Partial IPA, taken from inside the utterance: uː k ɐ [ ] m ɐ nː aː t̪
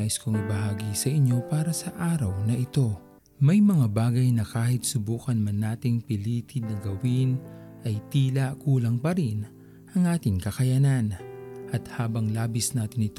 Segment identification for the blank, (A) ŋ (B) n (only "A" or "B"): B